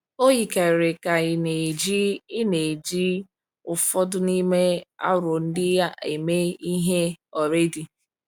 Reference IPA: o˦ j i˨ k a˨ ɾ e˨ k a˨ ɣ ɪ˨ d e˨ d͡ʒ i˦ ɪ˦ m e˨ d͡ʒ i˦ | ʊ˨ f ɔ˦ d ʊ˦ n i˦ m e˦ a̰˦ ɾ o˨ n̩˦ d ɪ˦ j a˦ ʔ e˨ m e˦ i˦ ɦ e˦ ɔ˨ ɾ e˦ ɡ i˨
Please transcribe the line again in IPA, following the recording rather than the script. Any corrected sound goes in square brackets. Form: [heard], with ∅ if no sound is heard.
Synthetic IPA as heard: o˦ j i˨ k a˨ ɾ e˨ k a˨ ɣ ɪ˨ [n] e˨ d͡ʒ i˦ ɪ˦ [n] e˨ d͡ʒ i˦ | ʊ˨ f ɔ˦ d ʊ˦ n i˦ m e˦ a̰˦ ɾ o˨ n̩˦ d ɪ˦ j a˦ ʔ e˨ m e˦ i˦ ɦ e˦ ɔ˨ ɾ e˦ [d] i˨